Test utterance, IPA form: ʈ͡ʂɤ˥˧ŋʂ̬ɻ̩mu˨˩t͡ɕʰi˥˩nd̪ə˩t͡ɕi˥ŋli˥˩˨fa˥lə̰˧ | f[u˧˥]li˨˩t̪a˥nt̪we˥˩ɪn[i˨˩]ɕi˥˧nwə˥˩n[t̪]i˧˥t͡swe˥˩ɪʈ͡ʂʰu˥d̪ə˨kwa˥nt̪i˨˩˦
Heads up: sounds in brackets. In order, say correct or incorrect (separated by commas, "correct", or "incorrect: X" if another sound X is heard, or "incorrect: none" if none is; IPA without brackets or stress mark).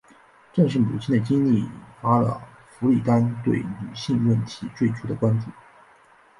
correct, incorrect: y˨˩, incorrect: t̪ʰ